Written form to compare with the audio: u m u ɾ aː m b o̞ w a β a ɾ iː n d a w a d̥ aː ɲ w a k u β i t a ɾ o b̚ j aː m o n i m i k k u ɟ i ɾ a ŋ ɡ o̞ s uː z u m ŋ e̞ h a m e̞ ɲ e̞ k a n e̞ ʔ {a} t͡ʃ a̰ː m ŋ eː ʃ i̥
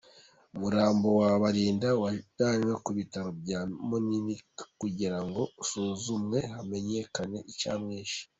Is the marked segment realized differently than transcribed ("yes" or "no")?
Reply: yes